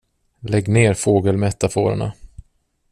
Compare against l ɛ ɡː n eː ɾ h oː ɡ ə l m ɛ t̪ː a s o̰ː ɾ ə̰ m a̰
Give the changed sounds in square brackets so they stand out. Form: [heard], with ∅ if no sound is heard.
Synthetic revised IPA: l ɛ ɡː n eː ɾ [f] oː ɡ ə l m ɛ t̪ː a [f] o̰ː ɾ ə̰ [ɳ] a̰